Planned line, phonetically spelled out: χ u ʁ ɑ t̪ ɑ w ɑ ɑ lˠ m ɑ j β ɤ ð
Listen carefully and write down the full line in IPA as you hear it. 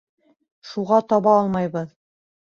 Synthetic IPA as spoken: ʃ u ʁ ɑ t̪ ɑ β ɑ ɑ lˠ m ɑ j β ɤ ð